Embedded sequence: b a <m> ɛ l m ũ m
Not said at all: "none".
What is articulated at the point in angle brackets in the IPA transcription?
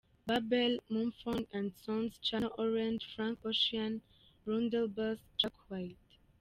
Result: b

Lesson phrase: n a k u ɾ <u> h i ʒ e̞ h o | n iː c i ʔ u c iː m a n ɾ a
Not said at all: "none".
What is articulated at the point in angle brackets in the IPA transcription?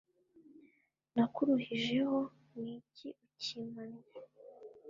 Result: u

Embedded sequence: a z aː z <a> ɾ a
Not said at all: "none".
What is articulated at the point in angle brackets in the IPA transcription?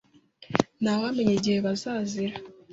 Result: i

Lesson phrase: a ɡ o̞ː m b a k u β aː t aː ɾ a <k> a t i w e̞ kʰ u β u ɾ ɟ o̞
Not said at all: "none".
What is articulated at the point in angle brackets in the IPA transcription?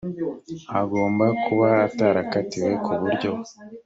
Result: k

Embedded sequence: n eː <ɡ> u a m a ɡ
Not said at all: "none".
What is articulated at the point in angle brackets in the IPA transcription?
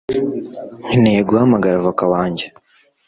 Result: ɡ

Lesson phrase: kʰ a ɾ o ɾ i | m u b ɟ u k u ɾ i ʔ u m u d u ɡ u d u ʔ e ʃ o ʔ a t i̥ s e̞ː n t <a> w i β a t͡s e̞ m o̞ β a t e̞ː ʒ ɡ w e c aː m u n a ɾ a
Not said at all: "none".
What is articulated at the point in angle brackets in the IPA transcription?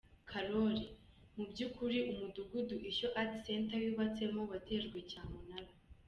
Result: a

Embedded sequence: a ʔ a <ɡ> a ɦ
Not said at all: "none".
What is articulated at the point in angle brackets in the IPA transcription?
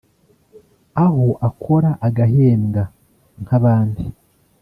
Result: ɡ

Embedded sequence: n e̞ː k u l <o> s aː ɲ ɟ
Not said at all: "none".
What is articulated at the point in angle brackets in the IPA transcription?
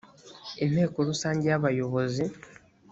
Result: u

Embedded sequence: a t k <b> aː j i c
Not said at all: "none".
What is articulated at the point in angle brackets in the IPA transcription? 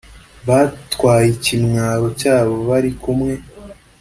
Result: w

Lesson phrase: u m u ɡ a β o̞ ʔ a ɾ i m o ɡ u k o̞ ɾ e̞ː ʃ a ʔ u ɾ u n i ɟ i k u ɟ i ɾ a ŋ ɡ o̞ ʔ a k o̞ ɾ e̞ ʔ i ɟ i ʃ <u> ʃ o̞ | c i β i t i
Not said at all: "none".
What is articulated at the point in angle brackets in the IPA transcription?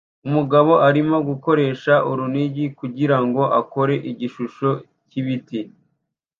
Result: u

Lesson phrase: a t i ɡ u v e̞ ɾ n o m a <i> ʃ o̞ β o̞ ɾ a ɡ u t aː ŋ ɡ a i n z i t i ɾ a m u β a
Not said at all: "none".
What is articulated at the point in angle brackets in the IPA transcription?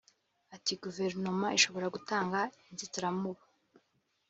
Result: i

